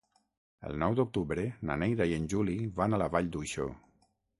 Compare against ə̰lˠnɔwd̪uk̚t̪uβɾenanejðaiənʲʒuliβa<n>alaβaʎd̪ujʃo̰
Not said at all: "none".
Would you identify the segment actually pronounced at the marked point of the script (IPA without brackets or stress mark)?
n